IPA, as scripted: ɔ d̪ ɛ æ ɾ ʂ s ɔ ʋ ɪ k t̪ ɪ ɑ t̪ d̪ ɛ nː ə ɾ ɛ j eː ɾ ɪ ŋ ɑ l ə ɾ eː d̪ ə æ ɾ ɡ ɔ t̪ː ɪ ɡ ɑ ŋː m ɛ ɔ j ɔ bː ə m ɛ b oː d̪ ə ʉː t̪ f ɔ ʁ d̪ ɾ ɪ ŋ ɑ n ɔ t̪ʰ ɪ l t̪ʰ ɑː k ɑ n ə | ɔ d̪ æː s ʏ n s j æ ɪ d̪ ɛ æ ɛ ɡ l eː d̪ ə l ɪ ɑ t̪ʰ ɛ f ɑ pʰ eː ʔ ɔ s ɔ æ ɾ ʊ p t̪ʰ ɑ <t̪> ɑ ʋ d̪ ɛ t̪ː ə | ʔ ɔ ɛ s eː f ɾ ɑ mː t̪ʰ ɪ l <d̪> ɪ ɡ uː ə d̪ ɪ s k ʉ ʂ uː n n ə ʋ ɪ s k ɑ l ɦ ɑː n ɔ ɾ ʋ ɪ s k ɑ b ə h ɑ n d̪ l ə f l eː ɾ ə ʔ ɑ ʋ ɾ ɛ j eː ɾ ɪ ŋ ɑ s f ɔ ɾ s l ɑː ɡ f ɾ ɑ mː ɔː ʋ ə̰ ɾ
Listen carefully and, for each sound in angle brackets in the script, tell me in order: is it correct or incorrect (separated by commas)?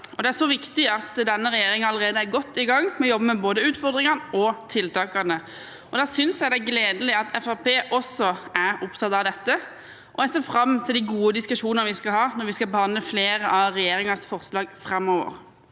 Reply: correct, correct